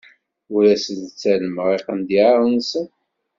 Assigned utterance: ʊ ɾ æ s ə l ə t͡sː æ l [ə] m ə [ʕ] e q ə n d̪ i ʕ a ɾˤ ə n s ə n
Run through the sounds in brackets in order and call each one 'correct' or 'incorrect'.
correct, incorrect: ʁ

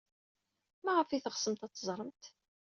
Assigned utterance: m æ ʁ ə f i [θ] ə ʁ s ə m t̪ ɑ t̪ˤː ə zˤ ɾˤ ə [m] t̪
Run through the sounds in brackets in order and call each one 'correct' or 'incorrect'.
correct, correct

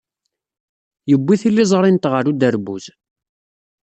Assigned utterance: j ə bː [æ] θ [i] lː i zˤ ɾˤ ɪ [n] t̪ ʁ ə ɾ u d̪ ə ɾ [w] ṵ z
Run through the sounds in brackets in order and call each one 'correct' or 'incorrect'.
incorrect: i, correct, correct, incorrect: b

